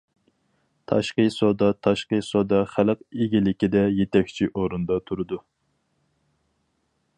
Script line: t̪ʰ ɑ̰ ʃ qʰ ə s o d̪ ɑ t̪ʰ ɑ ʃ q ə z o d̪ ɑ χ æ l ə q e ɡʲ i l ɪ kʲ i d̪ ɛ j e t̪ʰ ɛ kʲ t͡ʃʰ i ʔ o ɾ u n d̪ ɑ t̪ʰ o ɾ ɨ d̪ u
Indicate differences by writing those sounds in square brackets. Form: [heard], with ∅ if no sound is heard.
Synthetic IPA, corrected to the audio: t̪ʰ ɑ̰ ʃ [q] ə s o d̪ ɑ t̪ʰ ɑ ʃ q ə [s] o d̪ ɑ χ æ l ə q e ɡʲ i l ɪ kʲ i d̪ ɛ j e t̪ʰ ɛ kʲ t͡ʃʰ i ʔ o ɾ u n d̪ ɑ t̪ʰ [u] ɾ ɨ d̪ u

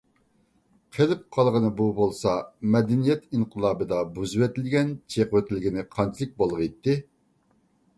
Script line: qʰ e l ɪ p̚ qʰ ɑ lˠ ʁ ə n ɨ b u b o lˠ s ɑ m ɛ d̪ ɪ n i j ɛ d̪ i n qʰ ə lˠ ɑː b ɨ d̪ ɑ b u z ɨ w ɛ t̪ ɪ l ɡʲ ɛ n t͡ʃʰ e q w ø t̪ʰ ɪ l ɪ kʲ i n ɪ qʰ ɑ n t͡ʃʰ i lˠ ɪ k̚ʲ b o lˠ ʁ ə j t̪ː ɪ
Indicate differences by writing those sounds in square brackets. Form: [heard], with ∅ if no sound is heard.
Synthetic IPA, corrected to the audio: qʰ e l ɪ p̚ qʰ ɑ lˠ ʁ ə n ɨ b u b o lˠ s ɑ m ɛ d̪ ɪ n i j ɛ [t̪] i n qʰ ə lˠ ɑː b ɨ d̪ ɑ b u z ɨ w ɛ t̪ ɪ l ɡʲ ɛ n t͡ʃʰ e q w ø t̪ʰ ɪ l ɪ [ɡʲ] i n ɪ qʰ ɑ n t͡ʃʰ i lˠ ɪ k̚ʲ b o lˠ ʁ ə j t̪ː ɪ

